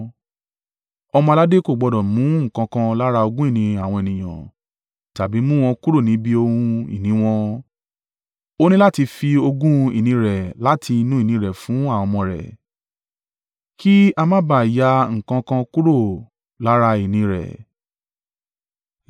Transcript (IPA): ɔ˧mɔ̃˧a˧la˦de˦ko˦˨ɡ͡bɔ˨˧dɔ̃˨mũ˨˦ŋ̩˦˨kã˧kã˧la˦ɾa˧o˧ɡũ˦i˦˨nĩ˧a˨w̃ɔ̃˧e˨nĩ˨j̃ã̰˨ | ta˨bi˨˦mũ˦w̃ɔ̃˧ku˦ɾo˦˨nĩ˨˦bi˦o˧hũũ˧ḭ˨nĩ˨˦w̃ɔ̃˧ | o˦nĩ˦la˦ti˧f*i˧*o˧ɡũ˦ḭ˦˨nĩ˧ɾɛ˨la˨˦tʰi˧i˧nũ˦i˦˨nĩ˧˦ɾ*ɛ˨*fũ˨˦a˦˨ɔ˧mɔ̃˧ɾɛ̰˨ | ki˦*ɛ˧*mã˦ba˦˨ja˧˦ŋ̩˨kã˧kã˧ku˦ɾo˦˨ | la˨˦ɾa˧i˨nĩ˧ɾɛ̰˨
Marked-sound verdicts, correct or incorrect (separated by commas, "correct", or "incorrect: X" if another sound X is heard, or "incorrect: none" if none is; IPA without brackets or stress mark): correct, correct, incorrect: a˧